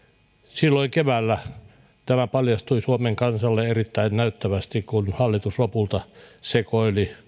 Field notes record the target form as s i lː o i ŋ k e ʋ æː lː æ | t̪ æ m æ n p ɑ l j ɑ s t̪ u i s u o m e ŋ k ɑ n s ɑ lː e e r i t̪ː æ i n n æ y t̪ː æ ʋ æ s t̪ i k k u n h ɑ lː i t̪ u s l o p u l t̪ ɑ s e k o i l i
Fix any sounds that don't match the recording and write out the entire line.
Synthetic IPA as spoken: s i lː o i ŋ k e ʋ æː lː æ | t̪ æ m æ p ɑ l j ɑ s t̪ u i s u o m e ŋ k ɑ n s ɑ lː e e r i t̪ː æ i n n æ y t̪ː æ ʋ æ s t̪ i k k u n h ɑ lː i t̪ u s l o p u l t̪ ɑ s e k o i l i

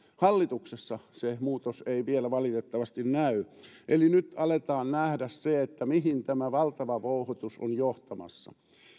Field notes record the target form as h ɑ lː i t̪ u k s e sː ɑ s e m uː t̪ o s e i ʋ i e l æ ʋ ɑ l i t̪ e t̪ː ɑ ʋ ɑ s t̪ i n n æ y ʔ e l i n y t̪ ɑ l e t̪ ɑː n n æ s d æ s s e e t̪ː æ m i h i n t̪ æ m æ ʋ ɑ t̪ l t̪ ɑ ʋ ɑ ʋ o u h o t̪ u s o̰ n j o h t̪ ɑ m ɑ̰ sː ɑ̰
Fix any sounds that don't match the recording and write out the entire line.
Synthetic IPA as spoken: h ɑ lː i t̪ u k s e sː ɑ s e m uː t̪ o s e i ʋ i e l æ ʋ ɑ l i t̪ e t̪ː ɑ ʋ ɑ s t̪ i n n æ y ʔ e l i n y t̪ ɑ l e t̪ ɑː n n æ h d æ s s e e t̪ː æ m i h i n t̪ æ m æ ʋ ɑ l t̪ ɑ ʋ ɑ ʋ o u h o t̪ u s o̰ n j o h t̪ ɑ m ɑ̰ sː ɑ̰

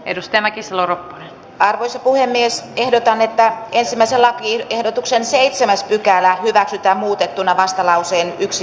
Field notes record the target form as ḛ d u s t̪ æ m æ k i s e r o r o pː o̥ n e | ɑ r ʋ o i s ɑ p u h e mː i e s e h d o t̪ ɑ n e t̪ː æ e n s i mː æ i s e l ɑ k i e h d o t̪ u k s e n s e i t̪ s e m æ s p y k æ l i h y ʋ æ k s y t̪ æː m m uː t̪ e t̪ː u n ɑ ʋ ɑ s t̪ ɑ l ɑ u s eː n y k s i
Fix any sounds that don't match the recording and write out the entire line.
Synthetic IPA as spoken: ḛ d u s t̪ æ m æ k i s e l o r o pː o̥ n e | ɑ r ʋ o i s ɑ p u h e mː i e s e h d o t̪ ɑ n e t̪ː æ e n s i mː æ i s e l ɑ k i e h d o t̪ u k s e n s e i t̪ s e m æ s p y k æ l æ h y ʋ æ k s y t̪ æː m m uː t̪ e t̪ː u n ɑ ʋ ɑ s t̪ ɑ l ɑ u s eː n y k s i

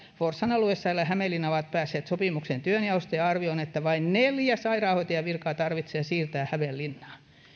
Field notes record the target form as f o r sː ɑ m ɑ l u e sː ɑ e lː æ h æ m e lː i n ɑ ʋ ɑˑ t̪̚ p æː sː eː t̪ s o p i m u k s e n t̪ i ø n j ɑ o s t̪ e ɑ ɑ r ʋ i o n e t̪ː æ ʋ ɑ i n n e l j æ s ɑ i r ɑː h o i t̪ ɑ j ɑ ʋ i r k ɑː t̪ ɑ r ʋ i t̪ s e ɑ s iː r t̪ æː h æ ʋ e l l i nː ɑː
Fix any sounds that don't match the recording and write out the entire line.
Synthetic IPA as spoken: f o r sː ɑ n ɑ l u e sː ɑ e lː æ h æ m e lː i n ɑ ʋ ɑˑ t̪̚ p æː sː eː t̪ s o p i m u k s e n t̪ y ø n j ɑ o s t̪ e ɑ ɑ r ʋ i o n e t̪ː æ ʋ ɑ i n n e l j æ s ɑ i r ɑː h o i t̪ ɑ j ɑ ʋ i r k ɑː t̪ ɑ r ʋ i t̪ s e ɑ s iː r t̪ æː h æ ʋ e l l i nː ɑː

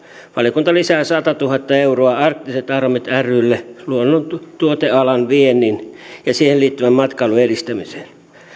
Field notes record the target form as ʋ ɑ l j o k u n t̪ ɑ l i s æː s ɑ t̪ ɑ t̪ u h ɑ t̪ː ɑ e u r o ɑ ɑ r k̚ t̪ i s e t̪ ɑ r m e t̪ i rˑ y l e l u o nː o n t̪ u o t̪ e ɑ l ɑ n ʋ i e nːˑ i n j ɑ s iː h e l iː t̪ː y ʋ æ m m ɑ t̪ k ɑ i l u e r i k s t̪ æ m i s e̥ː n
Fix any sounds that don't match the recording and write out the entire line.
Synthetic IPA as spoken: ʋ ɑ l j o k u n t̪ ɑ l i s æː s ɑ t̪ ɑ t̪ u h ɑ t̪ː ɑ e u r o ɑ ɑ r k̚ t̪ i s e t̪ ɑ r m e t̪ æ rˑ y lː e l u o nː o n t̪ u o t̪ e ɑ l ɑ n ʋ i e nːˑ i n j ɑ s iː h e l iː t̪ː y ʋ æ m m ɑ t̪ k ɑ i l u e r i s t̪ æ m i s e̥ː n

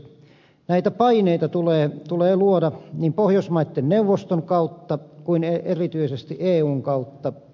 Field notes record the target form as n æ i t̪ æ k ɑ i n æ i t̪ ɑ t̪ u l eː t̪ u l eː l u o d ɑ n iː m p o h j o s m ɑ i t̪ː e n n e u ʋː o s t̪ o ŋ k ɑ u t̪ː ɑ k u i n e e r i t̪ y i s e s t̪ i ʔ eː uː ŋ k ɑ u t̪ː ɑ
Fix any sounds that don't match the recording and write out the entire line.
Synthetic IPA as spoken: n æ i t̪ æ p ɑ i n e i t̪ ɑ t̪ u l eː t̪ u l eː l u o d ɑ n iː m p o h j o s m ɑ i t̪ː e n n e u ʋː o s t̪ o ŋ k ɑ u t̪ː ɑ k u i n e e r i t̪ y i s e s t̪ i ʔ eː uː ŋ k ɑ u t̪ː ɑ

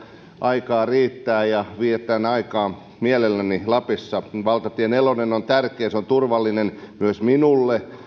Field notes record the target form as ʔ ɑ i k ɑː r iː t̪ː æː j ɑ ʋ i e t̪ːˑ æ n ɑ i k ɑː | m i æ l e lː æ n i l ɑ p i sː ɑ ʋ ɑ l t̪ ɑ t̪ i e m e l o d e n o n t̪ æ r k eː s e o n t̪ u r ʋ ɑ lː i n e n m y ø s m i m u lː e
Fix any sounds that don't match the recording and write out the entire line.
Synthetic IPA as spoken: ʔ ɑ i k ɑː r iː t̪ː æː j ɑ ʋ i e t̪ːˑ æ n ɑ i k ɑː | m i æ l e lː æ n i l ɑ p i sː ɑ ʋ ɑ l t̪ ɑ t̪ i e n e l o n e n o n t̪ æ r k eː s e o n t̪ u r ʋ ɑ lː i n e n m y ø s m i n u lː e

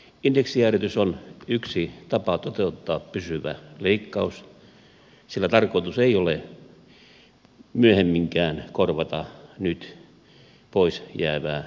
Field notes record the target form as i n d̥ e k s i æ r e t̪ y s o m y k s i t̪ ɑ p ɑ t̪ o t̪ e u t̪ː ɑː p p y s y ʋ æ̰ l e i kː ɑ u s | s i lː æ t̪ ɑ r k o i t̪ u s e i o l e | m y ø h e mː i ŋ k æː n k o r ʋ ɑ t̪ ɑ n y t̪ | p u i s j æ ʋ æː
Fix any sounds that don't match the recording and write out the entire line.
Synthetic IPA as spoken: i n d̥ e k s i æ r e t̪ y s o n y k s i t̪ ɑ p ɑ t̪ o t̪ e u t̪ː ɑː p p y s y ʋ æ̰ l e i kː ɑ u s | s i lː æ t̪ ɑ r k o i t̪ u s e i o l e | m y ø h e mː i ŋ k æː n k o r ʋ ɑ t̪ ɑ n y t̪ | p o i s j æː ʋ æː

